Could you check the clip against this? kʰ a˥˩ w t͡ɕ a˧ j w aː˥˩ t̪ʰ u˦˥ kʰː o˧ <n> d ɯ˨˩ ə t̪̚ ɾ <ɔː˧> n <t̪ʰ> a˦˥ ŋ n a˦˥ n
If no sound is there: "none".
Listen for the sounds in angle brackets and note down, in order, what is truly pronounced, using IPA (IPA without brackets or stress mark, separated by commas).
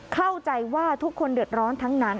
n, ɔː˦˥, t̪ʰ